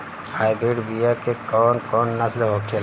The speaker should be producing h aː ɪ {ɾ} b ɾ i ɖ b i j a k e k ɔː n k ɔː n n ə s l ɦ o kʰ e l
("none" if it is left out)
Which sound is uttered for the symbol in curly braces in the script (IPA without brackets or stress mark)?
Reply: none